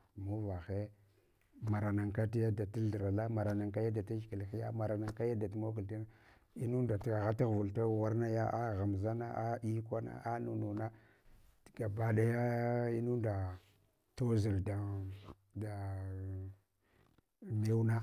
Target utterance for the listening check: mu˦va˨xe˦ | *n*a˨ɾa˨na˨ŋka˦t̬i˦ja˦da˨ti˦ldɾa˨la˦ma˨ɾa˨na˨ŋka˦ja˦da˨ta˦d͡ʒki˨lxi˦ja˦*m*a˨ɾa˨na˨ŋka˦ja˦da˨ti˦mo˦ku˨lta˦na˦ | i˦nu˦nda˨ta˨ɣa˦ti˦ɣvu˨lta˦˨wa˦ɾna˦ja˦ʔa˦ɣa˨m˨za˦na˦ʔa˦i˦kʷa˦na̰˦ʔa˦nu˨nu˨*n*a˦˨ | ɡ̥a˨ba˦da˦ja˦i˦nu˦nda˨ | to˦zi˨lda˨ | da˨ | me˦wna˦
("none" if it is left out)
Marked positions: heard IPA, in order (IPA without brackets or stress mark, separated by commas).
m, m, n